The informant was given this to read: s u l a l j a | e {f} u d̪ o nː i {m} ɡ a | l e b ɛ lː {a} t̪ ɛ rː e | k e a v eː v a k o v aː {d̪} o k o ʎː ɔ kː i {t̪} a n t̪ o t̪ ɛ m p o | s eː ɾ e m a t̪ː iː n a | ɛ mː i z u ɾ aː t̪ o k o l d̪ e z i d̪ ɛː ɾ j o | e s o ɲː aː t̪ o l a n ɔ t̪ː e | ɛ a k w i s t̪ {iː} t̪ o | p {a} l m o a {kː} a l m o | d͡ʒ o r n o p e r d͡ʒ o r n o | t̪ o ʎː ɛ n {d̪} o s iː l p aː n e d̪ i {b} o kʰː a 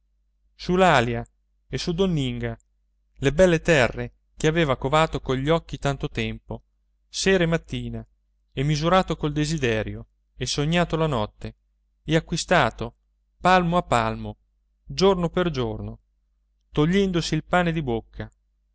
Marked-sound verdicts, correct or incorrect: incorrect, incorrect, incorrect, incorrect, correct, incorrect, correct, incorrect, correct, correct

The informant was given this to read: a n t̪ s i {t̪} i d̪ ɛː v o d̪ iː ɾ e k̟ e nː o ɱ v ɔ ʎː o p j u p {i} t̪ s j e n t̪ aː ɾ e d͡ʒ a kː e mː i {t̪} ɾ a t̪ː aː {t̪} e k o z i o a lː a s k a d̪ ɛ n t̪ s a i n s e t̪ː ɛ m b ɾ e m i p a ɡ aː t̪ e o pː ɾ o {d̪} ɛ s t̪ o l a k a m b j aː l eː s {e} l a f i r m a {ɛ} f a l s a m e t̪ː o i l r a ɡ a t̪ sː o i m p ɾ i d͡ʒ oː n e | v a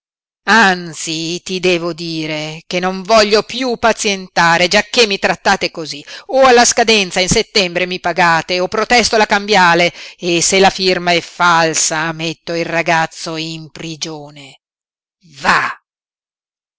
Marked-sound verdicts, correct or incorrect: correct, incorrect, correct, correct, incorrect, correct, correct

